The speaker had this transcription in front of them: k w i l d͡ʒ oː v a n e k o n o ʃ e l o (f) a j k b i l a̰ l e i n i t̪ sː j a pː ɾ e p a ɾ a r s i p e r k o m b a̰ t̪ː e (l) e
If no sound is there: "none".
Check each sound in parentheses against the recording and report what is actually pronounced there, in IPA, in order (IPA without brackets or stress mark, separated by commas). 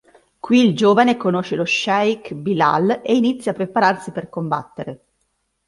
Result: ʃ, ɾ